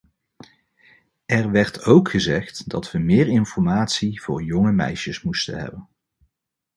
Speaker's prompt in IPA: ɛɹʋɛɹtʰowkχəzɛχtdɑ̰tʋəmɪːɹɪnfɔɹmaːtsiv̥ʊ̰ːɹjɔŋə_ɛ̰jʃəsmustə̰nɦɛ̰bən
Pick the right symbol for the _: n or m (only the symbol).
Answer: m